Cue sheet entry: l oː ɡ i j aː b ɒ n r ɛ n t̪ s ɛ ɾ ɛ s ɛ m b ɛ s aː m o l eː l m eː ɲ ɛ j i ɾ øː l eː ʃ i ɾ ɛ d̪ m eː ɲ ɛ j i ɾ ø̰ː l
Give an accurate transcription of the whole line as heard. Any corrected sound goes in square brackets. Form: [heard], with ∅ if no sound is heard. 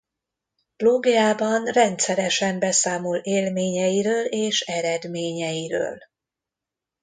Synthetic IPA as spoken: l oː ɡ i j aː b ɒ n r ɛ n t̪ s ɛ ɾ ɛ [ʃ] ɛ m b ɛ s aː m o l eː l m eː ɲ ɛ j i ɾ øː l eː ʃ [ɛ] ɾ ɛ d̪ m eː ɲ ɛ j i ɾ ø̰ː l